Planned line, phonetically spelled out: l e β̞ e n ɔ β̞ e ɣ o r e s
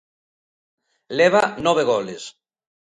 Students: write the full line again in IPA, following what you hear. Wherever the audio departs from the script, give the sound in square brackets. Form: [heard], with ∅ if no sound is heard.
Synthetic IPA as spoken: l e β̞ [a] n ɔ β̞ e ɣ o [l] e s